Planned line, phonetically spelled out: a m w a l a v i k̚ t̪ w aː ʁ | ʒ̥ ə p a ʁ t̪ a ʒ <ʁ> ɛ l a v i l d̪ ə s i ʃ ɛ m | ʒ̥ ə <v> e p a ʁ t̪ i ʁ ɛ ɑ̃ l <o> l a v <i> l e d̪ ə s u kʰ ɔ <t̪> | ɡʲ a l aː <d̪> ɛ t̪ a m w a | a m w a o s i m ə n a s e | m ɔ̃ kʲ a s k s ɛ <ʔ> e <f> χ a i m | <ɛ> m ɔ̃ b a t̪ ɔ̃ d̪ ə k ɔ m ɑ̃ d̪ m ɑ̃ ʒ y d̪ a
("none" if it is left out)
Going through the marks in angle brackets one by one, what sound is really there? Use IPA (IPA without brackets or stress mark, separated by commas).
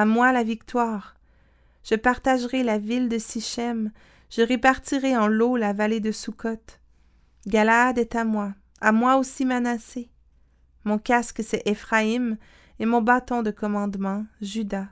ʁ, ʁ, o, a, t̪, d̪, ʔ, f, e